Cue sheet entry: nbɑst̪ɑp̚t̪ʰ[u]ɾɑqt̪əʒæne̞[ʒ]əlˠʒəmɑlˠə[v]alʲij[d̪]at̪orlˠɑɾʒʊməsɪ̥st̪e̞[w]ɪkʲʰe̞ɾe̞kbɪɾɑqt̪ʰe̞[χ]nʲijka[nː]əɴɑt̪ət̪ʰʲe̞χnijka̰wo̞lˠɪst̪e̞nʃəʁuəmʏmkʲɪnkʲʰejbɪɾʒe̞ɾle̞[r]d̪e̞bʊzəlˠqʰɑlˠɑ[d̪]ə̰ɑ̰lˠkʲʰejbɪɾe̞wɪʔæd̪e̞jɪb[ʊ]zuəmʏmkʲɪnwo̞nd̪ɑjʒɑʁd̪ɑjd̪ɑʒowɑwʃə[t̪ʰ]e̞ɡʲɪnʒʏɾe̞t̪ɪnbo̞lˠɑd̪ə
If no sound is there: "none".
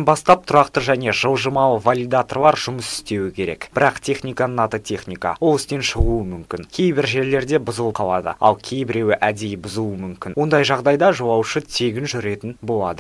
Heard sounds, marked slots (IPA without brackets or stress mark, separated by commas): ʊ, ʒ, v, d̪, w, χ, n, ɾ, d̪, ʊ, t̪ʰ